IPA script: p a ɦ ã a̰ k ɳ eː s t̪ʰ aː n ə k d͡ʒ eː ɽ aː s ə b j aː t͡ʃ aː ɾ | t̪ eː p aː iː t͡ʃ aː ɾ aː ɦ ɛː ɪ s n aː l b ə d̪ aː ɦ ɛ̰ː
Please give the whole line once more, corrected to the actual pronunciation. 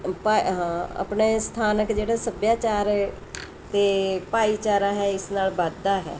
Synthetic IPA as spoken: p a ɦ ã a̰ p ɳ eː s t̪ʰ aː n ə k d͡ʒ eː ɽ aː s ə b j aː t͡ʃ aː ɾ | t̪ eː p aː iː t͡ʃ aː ɾ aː ɦ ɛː ɪ s n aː l b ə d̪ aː ɦ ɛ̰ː